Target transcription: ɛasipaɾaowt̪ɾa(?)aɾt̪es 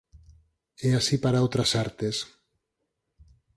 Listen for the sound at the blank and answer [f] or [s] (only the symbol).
s